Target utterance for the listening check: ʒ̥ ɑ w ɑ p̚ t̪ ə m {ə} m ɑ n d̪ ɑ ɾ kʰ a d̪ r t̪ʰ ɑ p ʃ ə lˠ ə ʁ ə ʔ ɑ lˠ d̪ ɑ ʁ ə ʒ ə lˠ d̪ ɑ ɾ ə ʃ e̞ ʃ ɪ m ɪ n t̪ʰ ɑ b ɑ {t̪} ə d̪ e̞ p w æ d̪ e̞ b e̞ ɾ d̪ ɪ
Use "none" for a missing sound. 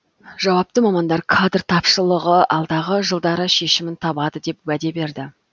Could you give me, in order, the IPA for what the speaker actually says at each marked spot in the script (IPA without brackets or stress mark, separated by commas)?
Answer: ɑ, d̪